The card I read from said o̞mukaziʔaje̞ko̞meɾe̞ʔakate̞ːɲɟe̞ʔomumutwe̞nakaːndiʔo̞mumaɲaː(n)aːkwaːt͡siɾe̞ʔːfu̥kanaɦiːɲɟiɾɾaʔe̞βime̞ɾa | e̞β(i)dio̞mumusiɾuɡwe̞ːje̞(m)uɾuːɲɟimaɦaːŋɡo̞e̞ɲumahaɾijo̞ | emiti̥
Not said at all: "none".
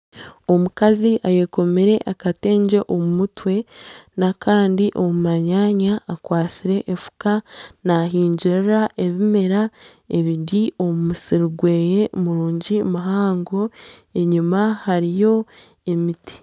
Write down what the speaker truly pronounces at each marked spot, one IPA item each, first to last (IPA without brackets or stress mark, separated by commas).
ɲ, i, m